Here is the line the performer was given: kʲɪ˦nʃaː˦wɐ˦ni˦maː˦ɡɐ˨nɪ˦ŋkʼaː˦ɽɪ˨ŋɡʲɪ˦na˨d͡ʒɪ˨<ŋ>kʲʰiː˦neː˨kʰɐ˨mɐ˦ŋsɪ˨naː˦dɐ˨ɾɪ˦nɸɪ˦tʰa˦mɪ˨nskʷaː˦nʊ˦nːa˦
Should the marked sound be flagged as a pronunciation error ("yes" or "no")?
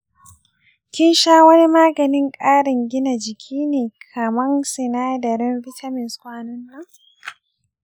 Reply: yes